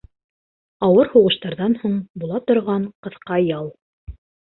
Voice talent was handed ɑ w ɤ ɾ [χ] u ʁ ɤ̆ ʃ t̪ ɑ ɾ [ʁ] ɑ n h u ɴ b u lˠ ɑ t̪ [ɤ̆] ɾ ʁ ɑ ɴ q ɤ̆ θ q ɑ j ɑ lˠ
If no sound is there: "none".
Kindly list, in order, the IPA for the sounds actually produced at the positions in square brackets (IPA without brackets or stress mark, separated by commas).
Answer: h, ð, ŏ